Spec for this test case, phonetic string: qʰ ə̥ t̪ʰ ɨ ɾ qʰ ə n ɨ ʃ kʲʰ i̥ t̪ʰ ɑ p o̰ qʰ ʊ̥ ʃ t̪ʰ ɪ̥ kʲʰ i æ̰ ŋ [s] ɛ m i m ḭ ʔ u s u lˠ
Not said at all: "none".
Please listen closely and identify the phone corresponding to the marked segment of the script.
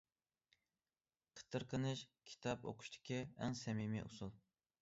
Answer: s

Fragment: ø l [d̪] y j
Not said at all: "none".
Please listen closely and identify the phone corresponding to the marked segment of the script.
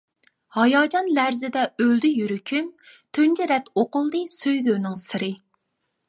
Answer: d̪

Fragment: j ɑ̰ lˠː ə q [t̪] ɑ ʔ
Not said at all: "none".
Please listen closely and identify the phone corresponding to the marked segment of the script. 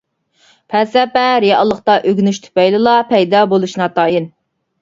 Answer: t̪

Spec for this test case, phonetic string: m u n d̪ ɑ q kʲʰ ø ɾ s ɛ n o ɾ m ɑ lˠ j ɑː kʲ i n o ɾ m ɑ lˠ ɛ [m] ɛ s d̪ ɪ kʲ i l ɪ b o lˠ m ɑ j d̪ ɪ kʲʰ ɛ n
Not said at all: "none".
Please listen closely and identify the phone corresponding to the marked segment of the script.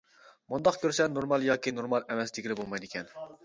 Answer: m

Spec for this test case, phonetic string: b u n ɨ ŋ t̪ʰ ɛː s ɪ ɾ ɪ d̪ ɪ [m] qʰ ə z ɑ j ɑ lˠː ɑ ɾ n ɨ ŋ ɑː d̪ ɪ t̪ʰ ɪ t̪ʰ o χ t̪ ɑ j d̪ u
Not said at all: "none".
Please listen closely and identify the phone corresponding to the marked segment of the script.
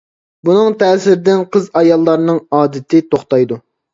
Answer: n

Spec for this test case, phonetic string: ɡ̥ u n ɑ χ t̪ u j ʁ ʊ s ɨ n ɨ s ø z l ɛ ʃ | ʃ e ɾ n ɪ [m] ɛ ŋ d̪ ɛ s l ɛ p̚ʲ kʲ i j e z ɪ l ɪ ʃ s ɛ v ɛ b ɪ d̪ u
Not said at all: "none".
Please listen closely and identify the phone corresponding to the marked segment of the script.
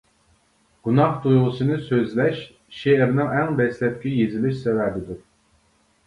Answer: ŋ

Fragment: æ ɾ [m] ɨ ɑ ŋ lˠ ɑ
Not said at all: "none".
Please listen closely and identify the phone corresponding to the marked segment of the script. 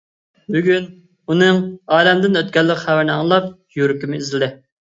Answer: n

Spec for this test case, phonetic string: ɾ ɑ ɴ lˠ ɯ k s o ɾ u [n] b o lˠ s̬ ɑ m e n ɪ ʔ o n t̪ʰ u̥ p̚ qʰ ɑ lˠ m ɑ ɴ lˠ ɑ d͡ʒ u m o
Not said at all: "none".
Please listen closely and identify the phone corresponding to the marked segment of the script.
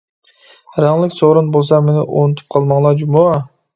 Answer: n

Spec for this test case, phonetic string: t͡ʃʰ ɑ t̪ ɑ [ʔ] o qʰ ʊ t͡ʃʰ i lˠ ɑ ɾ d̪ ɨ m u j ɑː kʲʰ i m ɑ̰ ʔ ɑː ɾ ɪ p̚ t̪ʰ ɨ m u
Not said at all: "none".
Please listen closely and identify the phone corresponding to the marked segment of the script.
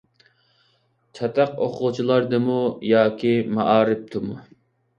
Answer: q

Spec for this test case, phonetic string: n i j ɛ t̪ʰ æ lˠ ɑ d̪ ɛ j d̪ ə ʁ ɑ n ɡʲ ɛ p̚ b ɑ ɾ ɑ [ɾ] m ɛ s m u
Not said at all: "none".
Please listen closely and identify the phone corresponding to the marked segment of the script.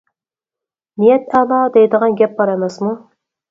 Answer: none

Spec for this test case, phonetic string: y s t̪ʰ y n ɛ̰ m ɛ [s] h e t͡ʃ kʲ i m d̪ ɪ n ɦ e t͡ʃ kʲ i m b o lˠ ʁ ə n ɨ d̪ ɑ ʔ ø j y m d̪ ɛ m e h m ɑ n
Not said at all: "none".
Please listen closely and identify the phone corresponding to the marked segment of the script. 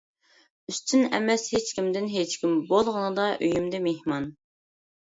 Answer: s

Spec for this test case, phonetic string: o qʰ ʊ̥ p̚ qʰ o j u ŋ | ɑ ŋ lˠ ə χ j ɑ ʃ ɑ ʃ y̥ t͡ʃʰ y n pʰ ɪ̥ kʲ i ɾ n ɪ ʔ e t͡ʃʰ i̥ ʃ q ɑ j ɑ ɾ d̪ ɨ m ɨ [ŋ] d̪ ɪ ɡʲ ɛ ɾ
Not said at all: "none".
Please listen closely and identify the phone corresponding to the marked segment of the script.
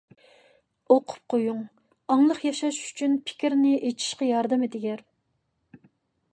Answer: none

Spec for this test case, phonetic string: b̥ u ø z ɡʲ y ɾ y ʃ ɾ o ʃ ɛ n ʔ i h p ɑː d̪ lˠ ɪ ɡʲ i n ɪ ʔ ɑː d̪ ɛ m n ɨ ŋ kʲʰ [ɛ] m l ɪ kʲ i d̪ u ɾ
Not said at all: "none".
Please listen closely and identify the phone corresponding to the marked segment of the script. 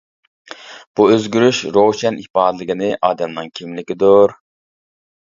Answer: i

